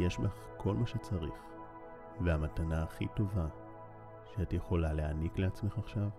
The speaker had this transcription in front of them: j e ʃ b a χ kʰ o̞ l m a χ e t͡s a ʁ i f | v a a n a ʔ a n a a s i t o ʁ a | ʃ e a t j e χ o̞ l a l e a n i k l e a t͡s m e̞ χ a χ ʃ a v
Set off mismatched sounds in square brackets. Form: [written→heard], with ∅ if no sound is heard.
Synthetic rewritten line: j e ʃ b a χ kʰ o̞ l m a [χ→ʃ] e t͡s a ʁ i [f→χ] | v [a→e] a [n→m] a [ʔ→t] a n a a [s→χ] i t o [ʁ→v] a | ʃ e a t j e χ o̞ l a l e a n i k l e a t͡s m e̞ χ a χ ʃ a v